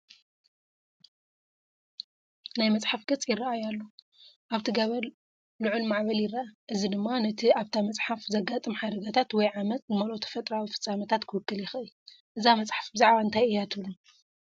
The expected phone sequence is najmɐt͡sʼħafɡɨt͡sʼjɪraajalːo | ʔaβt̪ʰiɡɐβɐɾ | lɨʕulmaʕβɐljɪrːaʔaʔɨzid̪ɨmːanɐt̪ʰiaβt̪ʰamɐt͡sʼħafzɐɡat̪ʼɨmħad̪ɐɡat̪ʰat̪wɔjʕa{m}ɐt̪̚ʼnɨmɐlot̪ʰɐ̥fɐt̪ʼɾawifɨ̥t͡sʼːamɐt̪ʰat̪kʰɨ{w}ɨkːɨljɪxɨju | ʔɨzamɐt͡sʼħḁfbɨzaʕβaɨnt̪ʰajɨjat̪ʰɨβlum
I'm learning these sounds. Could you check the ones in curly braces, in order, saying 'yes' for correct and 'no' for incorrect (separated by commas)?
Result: yes, yes